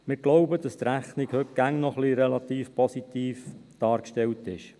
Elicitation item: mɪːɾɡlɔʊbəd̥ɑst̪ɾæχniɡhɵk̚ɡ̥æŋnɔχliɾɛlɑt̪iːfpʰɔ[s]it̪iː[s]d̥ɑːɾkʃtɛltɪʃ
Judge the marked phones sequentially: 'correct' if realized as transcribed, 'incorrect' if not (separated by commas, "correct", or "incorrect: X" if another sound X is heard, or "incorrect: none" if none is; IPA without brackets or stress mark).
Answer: correct, incorrect: f